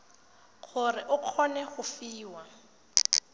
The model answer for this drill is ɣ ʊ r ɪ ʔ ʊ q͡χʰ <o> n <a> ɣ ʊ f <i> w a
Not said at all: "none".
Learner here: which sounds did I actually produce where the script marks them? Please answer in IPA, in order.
ɔ, ɛ, iː

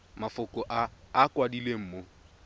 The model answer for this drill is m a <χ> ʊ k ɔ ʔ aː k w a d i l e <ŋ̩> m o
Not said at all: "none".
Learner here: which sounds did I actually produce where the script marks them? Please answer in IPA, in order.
f, m̩

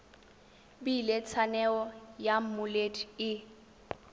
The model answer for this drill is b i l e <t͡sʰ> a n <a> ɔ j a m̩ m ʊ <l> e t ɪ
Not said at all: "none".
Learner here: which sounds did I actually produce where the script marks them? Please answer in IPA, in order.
t͡sʰ, ɛ, l

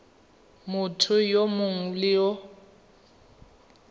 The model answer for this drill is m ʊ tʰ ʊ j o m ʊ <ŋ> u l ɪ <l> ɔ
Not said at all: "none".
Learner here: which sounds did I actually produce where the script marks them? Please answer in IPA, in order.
ŋ, none

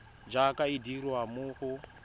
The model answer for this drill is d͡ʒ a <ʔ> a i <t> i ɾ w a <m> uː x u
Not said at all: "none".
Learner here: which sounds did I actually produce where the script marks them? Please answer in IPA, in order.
k, d, m

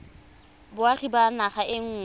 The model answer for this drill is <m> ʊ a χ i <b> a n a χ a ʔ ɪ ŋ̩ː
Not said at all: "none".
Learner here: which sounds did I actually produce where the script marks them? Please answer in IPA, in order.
b, b

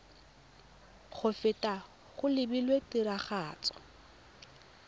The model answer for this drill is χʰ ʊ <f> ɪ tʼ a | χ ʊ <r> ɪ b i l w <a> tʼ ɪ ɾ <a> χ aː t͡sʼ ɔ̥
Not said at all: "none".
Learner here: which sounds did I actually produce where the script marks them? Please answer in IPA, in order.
f, l, e, a

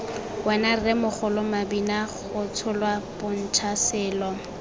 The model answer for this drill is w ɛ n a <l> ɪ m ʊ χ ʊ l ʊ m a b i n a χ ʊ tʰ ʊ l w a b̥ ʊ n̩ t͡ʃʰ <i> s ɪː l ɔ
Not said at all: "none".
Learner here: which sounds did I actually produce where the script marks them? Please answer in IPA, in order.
r, a

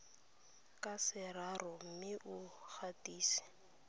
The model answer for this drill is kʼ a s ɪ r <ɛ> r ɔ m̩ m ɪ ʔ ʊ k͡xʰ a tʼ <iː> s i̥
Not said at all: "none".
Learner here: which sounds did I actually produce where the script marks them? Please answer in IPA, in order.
a, iː

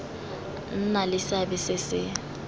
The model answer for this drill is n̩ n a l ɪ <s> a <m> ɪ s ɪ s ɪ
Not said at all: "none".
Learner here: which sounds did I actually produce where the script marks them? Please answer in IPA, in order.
s, b

